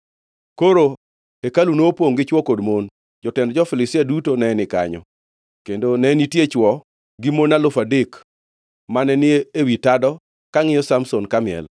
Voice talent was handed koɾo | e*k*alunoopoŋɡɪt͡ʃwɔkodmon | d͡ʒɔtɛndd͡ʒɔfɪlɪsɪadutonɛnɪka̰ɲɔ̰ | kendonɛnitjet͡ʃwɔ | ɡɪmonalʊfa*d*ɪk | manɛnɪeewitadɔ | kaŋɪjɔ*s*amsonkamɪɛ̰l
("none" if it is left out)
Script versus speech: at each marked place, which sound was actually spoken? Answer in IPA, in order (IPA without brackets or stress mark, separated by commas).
k, d, s